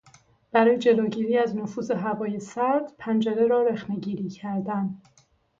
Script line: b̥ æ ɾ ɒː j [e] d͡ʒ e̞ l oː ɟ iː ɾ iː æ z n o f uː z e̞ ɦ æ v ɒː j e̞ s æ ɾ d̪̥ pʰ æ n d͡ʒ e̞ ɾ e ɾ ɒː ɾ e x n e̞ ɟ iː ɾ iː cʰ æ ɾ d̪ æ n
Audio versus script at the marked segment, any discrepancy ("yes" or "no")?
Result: no